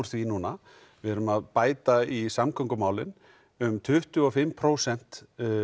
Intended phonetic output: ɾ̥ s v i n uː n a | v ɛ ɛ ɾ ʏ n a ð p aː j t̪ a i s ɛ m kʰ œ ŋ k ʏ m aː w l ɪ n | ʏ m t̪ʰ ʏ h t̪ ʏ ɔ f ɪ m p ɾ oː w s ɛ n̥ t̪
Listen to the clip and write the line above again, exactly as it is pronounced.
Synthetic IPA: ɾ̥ θ v i n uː n a | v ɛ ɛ ɾ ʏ m a ð p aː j t̪ a i s a m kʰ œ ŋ k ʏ m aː w l ɪ n | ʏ m t̪ʰ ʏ h t̪ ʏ ɔ f ɪ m pʰ ɾ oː w s ɛ n̥ t̪